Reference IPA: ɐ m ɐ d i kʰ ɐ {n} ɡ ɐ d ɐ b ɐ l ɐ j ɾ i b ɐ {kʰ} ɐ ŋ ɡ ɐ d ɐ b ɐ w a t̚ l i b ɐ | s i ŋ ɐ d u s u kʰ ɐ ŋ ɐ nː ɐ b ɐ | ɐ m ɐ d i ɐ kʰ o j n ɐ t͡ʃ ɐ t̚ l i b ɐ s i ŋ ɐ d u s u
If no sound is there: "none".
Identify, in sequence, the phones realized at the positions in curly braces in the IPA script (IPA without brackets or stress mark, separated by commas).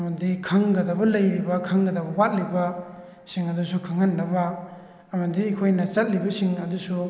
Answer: ŋ, kʰ